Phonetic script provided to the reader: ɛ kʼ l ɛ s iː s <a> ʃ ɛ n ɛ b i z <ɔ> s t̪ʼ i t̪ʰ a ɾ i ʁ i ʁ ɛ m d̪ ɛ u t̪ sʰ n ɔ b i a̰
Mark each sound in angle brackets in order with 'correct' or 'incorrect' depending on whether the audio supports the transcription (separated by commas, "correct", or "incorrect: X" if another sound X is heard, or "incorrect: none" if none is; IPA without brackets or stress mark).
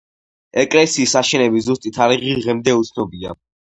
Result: correct, incorrect: u